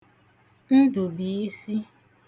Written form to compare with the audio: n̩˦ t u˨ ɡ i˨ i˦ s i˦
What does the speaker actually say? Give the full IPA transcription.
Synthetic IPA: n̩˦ d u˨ b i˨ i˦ s i˦